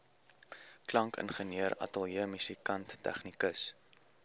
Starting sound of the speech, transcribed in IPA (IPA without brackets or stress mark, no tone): k